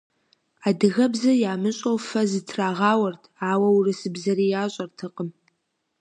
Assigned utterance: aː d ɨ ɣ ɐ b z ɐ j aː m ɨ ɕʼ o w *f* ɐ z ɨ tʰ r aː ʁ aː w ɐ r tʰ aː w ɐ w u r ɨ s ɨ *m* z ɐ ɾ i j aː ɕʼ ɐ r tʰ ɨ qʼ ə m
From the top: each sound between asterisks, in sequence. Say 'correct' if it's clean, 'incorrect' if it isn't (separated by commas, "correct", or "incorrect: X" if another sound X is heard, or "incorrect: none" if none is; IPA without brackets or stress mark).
correct, incorrect: b